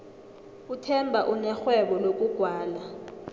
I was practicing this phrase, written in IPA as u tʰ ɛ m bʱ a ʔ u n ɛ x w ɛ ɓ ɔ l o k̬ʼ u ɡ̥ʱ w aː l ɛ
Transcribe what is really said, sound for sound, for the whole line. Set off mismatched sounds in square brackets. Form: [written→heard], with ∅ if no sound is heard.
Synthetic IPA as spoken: u tʰ ɛ m bʱ a ʔ u n ɛ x w ɛ ɓ ɔ l o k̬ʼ u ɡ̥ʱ w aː l [ɛ→a]